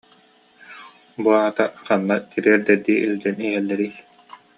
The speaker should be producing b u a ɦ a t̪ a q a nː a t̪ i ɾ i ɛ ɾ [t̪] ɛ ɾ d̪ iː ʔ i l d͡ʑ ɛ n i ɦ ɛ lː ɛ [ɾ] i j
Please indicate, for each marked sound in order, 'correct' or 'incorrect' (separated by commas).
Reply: incorrect, correct